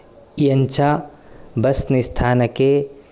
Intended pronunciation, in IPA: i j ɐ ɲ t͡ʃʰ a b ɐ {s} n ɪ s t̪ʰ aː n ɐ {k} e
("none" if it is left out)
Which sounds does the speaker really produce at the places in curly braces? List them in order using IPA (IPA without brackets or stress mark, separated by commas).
s, k